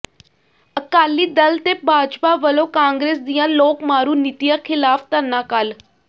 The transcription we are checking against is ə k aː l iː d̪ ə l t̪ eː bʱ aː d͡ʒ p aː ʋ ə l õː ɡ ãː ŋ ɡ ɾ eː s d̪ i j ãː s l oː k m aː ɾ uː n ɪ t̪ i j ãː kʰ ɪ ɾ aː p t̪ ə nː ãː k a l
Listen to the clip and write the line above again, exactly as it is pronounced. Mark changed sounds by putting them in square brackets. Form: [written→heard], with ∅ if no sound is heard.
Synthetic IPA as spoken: ə k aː l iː d̪ ə l t̪ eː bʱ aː d͡ʒ p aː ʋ ə l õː [ɡ→k] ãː ŋ ɡ ɾ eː s d̪ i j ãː [s→∅] l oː k m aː ɾ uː n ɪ t̪ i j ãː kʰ ɪ [ɾ→l] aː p t̪ ə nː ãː k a l